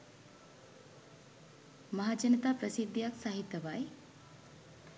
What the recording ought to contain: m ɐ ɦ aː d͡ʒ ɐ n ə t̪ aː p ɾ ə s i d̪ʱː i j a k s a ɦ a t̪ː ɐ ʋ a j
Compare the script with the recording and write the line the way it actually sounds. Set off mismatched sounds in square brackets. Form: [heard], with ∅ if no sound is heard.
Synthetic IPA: m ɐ ɦ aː d͡ʒ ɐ n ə t̪ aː p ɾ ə s i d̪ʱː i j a k s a ɦ [i] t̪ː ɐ ʋ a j